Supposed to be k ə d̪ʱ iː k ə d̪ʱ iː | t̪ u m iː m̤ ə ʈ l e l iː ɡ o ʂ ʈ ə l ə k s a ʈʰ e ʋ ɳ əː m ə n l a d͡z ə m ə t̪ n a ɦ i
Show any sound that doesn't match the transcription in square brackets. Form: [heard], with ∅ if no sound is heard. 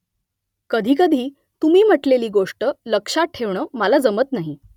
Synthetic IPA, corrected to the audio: k ə d̪ʱ iː k ə d̪ʱ iː | t̪ u m iː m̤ ə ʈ l e l iː ɡ o ʂ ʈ ə l ə k [ʂ] a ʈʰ e ʋ ɳ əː m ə [∅] l a d͡z ə m ə t̪ n a ɦ i